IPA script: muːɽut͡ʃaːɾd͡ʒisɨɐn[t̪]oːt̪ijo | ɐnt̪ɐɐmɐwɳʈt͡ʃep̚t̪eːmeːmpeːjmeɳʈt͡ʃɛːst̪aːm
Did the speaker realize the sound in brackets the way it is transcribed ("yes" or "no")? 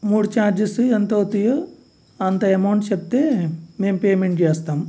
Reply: yes